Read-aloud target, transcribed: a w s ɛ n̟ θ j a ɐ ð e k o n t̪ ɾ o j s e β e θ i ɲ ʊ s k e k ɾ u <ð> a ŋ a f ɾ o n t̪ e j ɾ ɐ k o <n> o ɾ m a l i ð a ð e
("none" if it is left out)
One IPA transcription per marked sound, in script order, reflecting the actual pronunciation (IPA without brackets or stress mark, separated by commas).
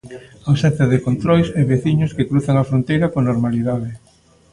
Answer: θ, n